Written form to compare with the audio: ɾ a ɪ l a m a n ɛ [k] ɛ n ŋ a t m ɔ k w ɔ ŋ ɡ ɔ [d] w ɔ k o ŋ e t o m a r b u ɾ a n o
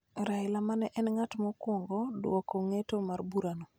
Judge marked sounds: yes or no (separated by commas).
no, yes